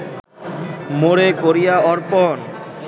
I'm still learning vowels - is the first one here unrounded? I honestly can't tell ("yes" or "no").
no